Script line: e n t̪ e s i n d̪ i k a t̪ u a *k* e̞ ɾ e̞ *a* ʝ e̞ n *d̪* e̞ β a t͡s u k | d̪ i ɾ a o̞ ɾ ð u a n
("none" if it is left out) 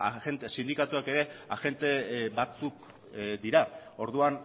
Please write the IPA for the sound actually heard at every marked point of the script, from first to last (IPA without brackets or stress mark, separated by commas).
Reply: k, a, t̪